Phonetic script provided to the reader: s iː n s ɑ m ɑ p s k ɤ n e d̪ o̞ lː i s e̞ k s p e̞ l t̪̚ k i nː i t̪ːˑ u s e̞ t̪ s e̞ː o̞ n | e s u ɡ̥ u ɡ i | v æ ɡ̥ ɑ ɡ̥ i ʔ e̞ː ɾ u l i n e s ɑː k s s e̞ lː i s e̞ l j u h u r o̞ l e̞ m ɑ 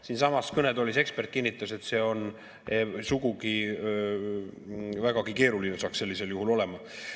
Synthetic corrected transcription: s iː n s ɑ m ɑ s k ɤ n e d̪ o̞ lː i s e̞ k s p e̞ r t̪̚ k i nː i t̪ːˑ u s e̞ t̪ s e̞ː o̞ n | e s u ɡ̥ u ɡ i | v æ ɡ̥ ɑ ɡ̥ i k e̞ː ɾ u l i n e s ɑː k s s e̞ lː i s e̞ l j u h u l o̞ l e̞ m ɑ